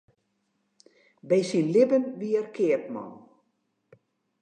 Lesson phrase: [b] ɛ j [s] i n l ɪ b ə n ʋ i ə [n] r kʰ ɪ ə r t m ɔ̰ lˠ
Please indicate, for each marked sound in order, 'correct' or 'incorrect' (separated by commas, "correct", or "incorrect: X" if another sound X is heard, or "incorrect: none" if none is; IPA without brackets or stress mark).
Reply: correct, correct, incorrect: none